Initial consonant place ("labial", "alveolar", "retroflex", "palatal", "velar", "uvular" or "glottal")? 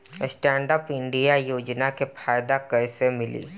alveolar